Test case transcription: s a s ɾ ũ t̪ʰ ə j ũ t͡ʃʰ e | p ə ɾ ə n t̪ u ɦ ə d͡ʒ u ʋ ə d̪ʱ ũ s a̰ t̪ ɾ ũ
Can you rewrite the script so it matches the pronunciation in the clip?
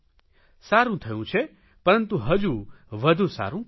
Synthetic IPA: s a ɾ ũ t̪ʰ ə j ũ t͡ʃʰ e | p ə ɾ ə n t̪ u ɦ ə d͡ʒ u ʋ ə d̪ʱ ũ s a̰ ɾ ũ